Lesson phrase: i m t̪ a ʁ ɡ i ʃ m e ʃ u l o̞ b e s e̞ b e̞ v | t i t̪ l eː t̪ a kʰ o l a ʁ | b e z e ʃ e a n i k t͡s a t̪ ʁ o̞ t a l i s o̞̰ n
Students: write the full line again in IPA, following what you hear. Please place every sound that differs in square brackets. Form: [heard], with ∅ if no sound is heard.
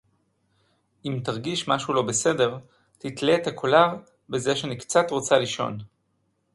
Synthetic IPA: i m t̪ a ʁ ɡ i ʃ m [a] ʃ u l o̞ b e s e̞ [d] e̞ [ʁ] | t i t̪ l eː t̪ a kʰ o l a ʁ | b e z e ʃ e a n i k t͡s a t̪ ʁ o̞ [t͡s] a l i [ʃ] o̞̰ n